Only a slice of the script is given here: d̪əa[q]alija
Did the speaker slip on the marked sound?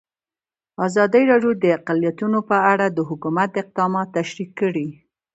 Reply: no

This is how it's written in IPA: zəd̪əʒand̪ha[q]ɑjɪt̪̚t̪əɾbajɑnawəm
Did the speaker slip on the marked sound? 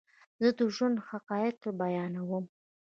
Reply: no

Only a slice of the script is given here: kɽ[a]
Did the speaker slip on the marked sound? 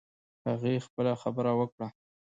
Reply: no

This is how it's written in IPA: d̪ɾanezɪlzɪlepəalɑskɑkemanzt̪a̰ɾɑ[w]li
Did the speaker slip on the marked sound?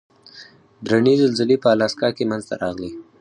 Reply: yes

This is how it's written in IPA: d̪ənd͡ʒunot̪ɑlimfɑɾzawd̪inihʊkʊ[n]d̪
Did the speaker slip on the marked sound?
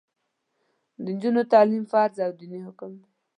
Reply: yes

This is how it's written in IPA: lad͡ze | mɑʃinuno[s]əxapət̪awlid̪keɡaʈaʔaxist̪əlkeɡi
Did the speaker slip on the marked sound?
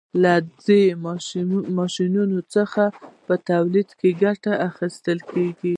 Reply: yes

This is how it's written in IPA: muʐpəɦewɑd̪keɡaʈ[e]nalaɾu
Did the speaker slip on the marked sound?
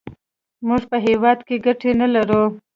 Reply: no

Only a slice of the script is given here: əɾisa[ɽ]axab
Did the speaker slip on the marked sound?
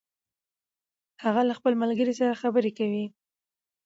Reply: yes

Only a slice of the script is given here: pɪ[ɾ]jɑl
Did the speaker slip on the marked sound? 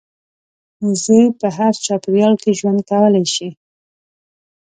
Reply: no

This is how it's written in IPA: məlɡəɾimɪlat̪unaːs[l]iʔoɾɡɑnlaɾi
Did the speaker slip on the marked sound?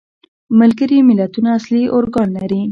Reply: no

